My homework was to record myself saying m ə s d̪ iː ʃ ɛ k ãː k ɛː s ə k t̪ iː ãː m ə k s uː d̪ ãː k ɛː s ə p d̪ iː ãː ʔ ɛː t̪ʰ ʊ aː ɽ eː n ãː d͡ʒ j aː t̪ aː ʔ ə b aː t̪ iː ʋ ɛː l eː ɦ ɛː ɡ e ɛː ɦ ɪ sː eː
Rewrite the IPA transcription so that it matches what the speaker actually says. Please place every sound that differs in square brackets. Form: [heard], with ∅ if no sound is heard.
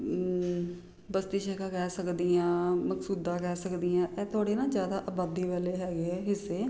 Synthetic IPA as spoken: [b] ə s [t̪] iː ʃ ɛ k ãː k ɛː s ə k [d̪] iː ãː m ə k s uː d̪ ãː k ɛː s ə [k] d̪ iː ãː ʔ ɛː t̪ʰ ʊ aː ɽ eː n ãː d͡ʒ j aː [d̪] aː ʔ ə b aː [d̪] iː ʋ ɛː l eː ɦ ɛː ɡ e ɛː ɦ ɪ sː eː